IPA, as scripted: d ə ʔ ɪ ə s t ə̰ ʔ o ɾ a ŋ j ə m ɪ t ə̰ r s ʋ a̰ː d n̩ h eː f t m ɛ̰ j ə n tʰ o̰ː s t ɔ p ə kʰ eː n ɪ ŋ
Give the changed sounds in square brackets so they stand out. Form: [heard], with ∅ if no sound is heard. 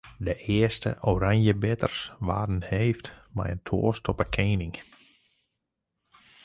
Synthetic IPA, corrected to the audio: d ə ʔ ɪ ə s t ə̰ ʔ o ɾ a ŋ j ə [b] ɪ t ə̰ r s ʋ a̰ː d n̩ h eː f t m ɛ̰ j ə n tʰ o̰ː s t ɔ p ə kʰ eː n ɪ ŋ